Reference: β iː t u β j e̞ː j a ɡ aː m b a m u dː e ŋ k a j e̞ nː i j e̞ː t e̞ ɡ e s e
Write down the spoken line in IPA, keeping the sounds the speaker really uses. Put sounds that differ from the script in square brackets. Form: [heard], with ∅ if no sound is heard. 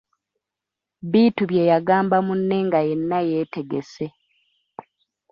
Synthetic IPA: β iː t u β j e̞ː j a ɡ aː m b a m u [nː] e ŋ [ɡ] a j e̞ nː [a] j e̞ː t e̞ ɡ e s e

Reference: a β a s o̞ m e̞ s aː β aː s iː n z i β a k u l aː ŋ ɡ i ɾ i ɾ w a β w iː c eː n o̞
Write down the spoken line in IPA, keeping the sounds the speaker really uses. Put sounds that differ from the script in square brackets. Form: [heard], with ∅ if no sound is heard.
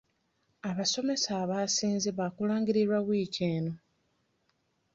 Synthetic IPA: a β a s o̞ m e̞ s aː β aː s iː n z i β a k u l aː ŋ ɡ i ɾ i ɾ w a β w iː c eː n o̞

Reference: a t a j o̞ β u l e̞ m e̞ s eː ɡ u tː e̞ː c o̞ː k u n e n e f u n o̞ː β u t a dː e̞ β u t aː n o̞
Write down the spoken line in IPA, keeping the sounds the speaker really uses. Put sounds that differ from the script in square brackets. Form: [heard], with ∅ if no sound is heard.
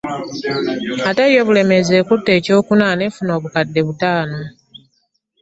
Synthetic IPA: a t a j o̞ β u l e̞ m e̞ [z] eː [k] u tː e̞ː c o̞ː k u n [a] n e f u n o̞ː β u [k] a dː e̞ β u t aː n o̞

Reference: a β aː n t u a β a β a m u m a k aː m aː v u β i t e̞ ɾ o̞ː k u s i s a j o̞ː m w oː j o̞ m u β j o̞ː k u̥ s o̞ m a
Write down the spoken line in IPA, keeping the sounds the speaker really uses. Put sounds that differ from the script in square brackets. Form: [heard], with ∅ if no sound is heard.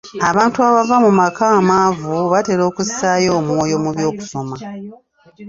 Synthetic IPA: a β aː n t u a β a [v] a m u m a k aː m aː v u β [a] t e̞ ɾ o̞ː k u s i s a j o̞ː m w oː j o̞ m u β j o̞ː k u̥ s o̞ m a

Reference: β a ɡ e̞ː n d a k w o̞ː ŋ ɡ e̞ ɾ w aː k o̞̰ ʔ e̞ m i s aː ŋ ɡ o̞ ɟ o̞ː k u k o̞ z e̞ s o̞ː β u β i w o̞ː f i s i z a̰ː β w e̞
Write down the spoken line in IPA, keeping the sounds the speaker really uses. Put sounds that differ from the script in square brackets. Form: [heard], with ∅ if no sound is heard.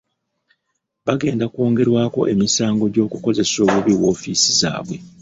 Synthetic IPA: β a ɡ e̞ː n d a k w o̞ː ŋ ɡ e̞ ɾ w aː k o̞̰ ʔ e̞ m i s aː ŋ ɡ o̞ ɟ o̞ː k u k o̞ z e̞ s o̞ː β u β i w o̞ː f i s i z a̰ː β w e̞

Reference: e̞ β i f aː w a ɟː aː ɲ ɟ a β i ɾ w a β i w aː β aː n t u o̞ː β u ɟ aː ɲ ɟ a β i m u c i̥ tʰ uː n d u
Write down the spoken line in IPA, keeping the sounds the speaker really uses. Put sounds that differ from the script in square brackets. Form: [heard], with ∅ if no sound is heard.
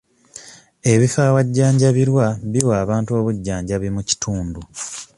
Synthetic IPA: e̞ β i f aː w a ɟː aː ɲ ɟ a β i ɾ w a β i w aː β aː n t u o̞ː β u [ɟː] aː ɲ ɟ a β i m u c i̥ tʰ uː n d u

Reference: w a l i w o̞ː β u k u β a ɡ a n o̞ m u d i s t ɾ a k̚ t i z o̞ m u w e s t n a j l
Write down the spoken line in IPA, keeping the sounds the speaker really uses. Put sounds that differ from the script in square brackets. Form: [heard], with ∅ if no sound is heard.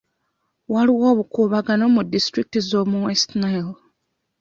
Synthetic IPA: w a l i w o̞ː β u k u β a ɡ a n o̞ m u d i s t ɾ [i] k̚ t i z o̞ m u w e s t n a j l

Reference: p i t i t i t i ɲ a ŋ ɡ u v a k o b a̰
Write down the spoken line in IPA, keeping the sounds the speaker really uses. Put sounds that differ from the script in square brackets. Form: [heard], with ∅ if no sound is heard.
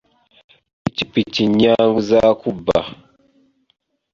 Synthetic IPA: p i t i [p] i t i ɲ a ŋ ɡ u [z] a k [u] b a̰

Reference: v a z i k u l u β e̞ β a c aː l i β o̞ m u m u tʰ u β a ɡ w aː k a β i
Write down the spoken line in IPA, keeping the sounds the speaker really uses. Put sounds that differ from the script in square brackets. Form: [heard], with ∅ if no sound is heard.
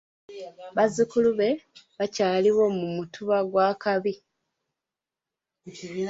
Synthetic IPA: [β] a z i k u l u β e̞ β a c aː l i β o̞ m u m u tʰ u β a ɡ w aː k a β i

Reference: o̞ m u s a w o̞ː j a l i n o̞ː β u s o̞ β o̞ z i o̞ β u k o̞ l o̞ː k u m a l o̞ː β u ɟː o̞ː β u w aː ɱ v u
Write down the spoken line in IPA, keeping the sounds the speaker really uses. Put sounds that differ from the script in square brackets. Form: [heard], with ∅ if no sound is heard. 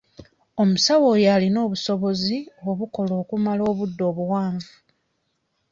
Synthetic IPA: o̞ m u s a w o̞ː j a l i n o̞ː β u s o̞ β o̞ z i o̞ β u k o̞ l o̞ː k u m a l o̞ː β u [dː] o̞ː β u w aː ɱ v u

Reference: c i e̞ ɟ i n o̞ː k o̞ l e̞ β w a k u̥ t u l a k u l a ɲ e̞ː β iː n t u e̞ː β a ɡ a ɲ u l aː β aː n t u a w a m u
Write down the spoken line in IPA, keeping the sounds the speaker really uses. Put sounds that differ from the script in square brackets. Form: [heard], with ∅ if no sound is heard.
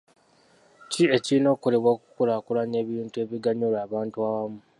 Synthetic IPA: c i e̞ [c] i n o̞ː k o̞ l e̞ β w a k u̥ [k] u l a k u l a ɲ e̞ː β iː n t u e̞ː β [i] ɡ a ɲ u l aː β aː n t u a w a m u

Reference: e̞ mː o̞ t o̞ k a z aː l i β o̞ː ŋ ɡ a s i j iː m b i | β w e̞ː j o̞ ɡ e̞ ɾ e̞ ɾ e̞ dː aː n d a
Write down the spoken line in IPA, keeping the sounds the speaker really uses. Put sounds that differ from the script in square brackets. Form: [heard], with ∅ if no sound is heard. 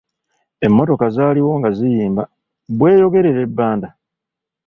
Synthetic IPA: e̞ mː o̞ t o̞ k a z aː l i [w] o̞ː ŋ ɡ a [z] i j iː m b [a] | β w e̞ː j o̞ ɡ e̞ ɾ e̞ ɾ e̞ [bː] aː n d a

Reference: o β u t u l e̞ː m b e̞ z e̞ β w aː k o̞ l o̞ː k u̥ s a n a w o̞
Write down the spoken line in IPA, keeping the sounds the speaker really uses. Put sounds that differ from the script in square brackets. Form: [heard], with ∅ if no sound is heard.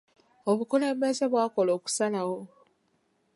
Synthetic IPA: o β u [k] u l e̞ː m b e̞ z e̞ β w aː k o̞ l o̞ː k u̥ s a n a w o̞

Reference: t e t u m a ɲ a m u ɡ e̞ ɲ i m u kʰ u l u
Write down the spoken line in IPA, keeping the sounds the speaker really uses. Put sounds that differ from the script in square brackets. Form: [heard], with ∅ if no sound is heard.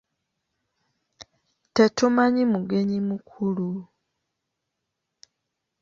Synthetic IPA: t e t u m a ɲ [i] m u ɡ e̞ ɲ i m u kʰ u l u

